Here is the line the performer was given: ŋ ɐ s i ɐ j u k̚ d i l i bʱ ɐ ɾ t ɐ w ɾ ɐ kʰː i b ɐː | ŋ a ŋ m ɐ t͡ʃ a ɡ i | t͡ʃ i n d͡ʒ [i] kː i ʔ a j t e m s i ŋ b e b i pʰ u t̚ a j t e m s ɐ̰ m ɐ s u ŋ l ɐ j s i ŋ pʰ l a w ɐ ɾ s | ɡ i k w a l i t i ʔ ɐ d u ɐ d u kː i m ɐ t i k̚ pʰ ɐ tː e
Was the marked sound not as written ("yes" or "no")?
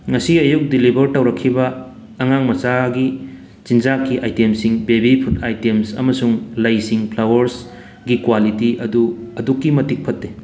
yes